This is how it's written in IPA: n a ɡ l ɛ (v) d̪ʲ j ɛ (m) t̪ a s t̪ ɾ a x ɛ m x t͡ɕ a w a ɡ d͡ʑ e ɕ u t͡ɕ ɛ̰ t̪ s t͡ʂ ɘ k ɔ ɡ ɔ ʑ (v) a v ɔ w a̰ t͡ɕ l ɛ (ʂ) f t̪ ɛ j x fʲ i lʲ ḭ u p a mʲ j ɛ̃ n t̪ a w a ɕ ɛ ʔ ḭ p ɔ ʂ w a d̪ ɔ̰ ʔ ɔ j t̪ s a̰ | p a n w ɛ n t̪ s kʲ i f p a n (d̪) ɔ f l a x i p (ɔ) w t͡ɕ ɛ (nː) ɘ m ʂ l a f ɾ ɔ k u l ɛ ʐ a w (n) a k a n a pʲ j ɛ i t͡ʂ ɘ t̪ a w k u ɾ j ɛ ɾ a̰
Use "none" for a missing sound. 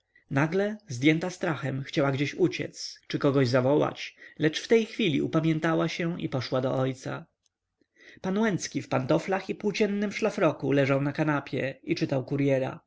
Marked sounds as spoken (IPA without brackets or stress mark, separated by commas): z, n, z, t͡ʂ, t̪, u, nː, n